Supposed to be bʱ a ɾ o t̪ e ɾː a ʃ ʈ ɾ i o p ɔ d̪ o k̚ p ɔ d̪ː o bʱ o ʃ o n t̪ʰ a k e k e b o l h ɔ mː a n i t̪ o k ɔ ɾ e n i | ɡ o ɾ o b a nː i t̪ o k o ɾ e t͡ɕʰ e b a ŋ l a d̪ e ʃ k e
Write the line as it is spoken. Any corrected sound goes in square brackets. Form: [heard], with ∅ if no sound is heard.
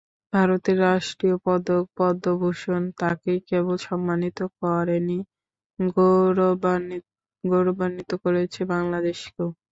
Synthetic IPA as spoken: bʱ a ɾ o t̪ e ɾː a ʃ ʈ ɾ i o p ɔ d̪ o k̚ p ɔ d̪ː o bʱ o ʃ o n [t̪] a k e k e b o l [ʃ] ɔ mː a n i t̪ o k ɔ ɾ e n i | ɡ o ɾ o b a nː i t̪ o k o ɾ e t͡ɕʰ e b a ŋ l a d̪ e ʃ k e

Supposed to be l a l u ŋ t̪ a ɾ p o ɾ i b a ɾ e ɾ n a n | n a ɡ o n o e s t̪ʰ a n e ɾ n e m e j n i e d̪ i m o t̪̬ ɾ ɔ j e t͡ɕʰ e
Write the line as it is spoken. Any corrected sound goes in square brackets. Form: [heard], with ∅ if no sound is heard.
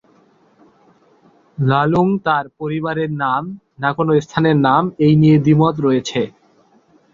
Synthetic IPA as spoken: l a l u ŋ t̪ a ɾ p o ɾ i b a ɾ e ɾ n a [m] | n a [k] o n o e s t̪ʰ a n e ɾ n [a] m e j n i e d̪ i m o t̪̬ ɾ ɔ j e t͡ɕʰ e

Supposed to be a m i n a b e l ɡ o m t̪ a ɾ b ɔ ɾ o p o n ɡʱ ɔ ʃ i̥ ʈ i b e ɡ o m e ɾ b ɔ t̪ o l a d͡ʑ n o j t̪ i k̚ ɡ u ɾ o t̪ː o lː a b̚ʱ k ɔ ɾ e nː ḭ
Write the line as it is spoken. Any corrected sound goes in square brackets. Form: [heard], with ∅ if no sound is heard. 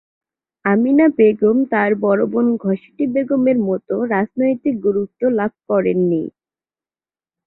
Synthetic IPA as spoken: a m i n a b e [∅] ɡ o m t̪ a ɾ b ɔ ɾ o [b] o n ɡʱ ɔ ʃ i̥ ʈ i b e ɡ o m e ɾ [m] ɔ t̪ o [ɾ] a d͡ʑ n o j t̪ i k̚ ɡ u ɾ [u] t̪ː o [l] a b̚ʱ k ɔ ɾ e nː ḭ

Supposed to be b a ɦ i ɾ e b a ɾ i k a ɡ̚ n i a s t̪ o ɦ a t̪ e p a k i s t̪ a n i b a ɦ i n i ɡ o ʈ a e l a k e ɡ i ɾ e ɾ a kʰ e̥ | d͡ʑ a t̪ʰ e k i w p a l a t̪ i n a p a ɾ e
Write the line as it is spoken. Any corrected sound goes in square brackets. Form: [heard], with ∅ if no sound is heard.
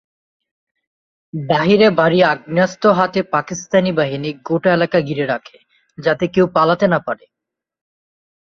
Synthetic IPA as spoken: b a ɦ i ɾ e b a ɾ i [∅] a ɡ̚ n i a s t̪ o ɦ a t̪ e p a k i s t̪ a n i b a ɦ i n i ɡ o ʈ a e l a k [a] ɡ i ɾ e ɾ a kʰ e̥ | d͡ʑ a [t̪] e k [e] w p a l a t̪ [e] n a p a ɾ e

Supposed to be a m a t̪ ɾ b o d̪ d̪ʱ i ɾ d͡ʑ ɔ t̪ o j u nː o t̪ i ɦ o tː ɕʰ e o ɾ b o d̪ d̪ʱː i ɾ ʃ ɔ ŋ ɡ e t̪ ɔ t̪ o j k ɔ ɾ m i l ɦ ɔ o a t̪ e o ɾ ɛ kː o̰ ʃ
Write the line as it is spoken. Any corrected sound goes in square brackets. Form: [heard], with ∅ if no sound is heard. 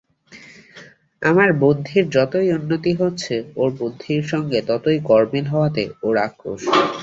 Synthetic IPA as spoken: a m a [∅] ɾ b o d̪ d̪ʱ i ɾ d͡ʑ ɔ t̪ o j u nː o t̪ i ɦ o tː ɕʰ e o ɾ b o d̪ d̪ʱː i ɾ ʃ ɔ ŋ ɡ e t̪ ɔ t̪ o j k ɔ ɾ m i l ɦ ɔ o a t̪ e o ɾ [a] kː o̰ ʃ

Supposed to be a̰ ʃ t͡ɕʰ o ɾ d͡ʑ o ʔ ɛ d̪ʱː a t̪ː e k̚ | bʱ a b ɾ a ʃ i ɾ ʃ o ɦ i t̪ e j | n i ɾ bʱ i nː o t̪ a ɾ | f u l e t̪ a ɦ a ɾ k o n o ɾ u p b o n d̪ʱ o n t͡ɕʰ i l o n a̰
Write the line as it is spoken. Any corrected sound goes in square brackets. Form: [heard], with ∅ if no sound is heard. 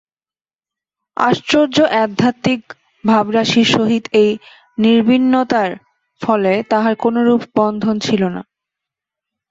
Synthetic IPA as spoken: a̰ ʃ [t͡ɕ] o ɾ d͡ʑ o ʔ ɛ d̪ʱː a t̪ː [i] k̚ | bʱ a b ɾ a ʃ i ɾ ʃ o ɦ i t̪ e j | n i ɾ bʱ i nː o t̪ a ɾ | f [ɔ] l e t̪ a ɦ a ɾ k o n o ɾ u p b [ɔ] n d̪ʱ o n t͡ɕʰ i l o n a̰

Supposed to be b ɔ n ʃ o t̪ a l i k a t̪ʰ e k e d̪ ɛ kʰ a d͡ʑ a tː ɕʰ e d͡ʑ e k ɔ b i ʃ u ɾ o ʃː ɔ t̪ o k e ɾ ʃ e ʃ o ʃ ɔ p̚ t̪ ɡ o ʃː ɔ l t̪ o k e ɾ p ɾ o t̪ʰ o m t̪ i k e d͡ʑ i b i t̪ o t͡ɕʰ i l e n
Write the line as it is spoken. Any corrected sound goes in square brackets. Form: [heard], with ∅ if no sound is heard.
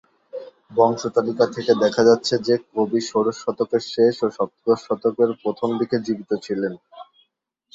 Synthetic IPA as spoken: b ɔ [ŋ] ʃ o t̪ a l i k a t̪ʰ e k e d̪ ɛ kʰ a d͡ʑ a tː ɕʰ e d͡ʑ e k [o] b i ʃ [o] ɾ o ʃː ɔ t̪ o k e ɾ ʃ e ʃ o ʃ ɔ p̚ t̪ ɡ o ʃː ɔ [∅] t̪ o k e ɾ p ɾ o t̪ʰ o m [d̪] i k e d͡ʑ i b i t̪ o t͡ɕʰ i l e n

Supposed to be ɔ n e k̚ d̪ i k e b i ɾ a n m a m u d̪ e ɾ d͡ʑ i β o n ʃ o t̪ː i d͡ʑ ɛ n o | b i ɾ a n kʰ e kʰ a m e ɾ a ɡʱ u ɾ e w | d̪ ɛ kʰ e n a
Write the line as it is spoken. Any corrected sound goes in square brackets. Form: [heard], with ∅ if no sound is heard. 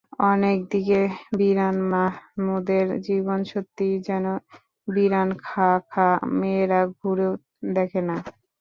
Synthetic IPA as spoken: ɔ n e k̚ d̪ i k e b i ɾ a n m a m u d̪ e ɾ d͡ʑ i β o n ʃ o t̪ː i d͡ʑ ɛ n o | b i ɾ a n kʰ [a] kʰ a m e ɾ a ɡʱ u ɾ e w | d̪ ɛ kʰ e n a

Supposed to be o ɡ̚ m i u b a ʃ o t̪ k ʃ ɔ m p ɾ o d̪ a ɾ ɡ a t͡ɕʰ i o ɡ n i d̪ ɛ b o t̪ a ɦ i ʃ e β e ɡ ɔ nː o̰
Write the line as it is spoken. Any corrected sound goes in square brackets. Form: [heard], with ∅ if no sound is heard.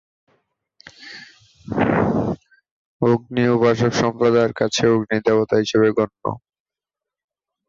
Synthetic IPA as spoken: o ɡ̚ [n] i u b a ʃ o [∅] k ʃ ɔ m p ɾ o d̪ a ɾ [k] a t͡ɕʰ [e] o ɡ n i d̪ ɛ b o t̪ a ɦ i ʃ e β e ɡ ɔ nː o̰

